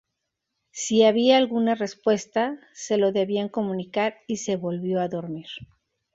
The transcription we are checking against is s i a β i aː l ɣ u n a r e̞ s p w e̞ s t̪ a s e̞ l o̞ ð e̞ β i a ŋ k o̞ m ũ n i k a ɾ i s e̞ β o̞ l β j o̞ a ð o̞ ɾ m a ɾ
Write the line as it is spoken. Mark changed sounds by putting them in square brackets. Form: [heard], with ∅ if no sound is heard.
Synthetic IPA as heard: s i a β i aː l ɣ u n a r e̞ s p w e̞ s t̪ a s e̞ l o̞ ð e̞ β i a ŋ k o̞ m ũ n i k a ɾ i s e̞ β o̞ l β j o̞ a ð o̞ ɾ m [i] ɾ